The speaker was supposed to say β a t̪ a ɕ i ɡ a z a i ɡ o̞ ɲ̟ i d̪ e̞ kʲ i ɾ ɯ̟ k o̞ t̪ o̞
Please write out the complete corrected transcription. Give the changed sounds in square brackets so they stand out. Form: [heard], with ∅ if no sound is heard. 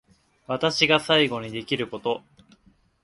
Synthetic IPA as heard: β a t̪ a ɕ i ɡ a [s] a i ɡ o̞ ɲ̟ i d̪ e̞ kʲ i ɾ ɯ̟ k o̞ t̪ o̞